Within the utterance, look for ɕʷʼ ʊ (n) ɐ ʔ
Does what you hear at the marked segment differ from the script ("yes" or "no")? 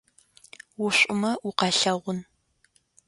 yes